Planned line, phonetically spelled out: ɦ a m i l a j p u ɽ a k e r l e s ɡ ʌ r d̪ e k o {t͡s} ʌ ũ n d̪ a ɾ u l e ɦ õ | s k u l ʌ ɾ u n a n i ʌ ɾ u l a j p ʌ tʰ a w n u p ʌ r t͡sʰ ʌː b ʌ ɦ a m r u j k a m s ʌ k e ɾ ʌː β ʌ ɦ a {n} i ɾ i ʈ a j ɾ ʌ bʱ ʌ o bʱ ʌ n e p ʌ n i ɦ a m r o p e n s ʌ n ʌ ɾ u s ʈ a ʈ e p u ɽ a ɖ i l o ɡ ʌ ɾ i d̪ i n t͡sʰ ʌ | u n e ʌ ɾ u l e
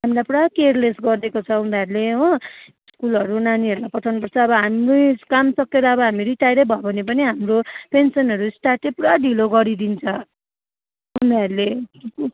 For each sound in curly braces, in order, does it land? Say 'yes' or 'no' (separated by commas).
no, no